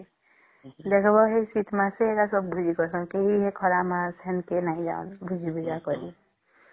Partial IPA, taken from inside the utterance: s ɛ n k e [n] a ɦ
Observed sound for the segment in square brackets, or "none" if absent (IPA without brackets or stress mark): n